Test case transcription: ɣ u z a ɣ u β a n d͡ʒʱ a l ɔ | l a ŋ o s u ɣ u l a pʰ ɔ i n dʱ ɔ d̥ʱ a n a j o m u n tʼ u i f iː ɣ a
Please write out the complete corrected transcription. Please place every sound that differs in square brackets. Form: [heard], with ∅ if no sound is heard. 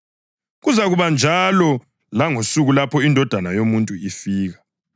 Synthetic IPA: ɣ u z a ɣ u β a n d͡ʒʱ a l ɔ | l a ŋ o s u ɣ u l a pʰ ɔ i n dʱ ɔ d̥ʱ a n a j o m u n tʼ u i f iː ɣ a